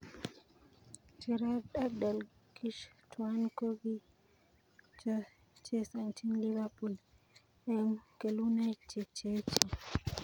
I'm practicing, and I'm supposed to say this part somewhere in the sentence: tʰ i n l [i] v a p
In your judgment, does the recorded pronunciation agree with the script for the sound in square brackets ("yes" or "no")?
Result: yes